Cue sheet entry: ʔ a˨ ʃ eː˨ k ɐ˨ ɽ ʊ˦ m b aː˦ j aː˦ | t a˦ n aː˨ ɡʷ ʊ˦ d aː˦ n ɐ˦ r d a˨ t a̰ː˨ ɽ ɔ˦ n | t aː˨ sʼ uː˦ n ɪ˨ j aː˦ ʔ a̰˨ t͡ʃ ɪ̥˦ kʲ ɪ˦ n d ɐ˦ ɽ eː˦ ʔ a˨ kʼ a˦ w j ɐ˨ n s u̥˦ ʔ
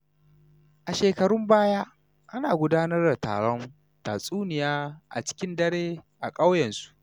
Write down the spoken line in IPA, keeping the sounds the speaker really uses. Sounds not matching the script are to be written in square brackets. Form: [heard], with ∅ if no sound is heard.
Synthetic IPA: ʔ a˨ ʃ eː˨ k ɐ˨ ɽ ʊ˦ m b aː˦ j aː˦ | [ʔ] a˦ n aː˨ ɡʷ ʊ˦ d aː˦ n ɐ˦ r d a˨ t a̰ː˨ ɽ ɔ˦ n | t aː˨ sʼ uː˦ n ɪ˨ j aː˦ ʔ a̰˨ t͡ʃ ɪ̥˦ kʲ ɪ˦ n d ɐ˦ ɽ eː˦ ʔ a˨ kʼ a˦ w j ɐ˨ n s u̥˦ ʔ

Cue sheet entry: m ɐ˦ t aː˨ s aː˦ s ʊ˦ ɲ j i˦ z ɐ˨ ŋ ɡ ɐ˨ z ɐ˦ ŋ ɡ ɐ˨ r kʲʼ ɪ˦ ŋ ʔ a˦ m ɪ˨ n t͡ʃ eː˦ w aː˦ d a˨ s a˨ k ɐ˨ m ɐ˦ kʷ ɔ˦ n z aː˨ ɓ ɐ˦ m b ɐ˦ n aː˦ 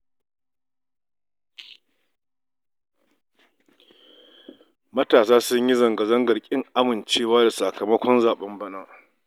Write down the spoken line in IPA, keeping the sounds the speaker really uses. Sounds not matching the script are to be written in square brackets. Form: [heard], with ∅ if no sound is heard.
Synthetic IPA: m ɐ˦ t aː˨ s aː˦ s ʊ˦ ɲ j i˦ z ɐ˨ ŋ ɡ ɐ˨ z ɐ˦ ŋ ɡ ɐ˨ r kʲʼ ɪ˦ ŋ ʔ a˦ m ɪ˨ n t͡ʃ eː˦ w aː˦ d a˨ s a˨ k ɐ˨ m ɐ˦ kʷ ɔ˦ n z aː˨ ɓ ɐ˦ m b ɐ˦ n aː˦

